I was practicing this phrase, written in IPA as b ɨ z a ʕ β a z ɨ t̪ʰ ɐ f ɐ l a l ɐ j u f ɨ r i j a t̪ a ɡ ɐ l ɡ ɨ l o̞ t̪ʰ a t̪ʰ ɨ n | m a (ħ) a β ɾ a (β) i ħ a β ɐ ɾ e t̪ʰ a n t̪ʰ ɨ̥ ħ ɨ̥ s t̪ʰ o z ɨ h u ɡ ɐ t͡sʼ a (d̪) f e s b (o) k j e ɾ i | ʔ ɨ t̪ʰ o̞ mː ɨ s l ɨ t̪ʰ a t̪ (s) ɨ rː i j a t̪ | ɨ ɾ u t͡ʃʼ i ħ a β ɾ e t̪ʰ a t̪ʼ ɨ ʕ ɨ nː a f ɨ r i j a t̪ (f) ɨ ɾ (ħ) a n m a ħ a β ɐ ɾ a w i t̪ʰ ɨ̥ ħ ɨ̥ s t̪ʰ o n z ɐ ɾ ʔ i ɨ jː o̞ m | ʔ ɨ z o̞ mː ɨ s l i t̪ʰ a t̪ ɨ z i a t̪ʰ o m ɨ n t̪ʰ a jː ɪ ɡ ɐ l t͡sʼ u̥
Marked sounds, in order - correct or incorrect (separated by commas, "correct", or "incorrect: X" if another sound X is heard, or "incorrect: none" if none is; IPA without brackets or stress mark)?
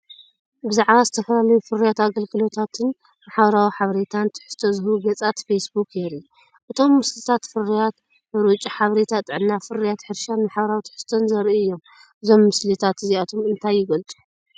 correct, incorrect: w, incorrect: t̪, incorrect: u, incorrect: f, incorrect: ħ, incorrect: ʃ